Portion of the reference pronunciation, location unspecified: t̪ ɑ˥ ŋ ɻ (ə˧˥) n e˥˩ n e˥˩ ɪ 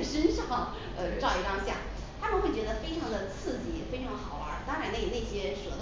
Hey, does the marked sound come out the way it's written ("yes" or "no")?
no